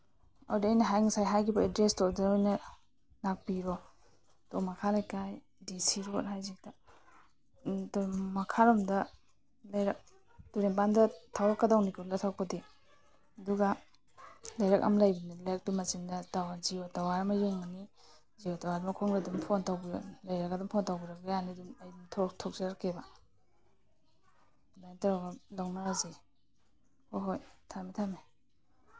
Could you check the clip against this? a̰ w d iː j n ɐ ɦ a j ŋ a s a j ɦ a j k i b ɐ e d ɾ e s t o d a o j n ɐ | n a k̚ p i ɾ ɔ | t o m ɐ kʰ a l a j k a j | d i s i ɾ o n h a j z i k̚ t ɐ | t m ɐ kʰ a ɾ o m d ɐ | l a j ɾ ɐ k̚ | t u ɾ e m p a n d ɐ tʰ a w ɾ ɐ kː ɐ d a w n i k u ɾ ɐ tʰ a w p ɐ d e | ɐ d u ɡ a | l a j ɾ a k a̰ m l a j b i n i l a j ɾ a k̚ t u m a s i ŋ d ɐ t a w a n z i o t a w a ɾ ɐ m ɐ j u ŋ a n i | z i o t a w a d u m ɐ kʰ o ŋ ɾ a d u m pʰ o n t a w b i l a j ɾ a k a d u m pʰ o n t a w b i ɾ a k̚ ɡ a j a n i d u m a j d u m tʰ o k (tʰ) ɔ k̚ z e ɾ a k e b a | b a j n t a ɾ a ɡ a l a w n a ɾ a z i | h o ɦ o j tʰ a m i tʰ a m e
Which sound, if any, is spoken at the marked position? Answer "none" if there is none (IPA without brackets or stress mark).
tʰ